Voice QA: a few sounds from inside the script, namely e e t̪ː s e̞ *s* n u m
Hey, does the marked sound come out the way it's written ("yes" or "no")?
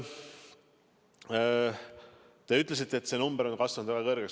no